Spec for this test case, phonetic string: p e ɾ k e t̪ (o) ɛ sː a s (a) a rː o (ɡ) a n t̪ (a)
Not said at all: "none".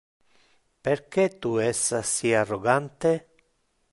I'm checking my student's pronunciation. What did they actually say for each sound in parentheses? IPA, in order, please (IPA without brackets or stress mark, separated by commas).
u, i, ɡ, e